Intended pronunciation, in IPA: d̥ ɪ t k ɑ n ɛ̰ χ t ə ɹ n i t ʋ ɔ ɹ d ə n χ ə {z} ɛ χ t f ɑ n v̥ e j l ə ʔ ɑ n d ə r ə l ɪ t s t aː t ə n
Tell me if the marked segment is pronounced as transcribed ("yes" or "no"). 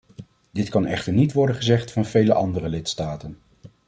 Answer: yes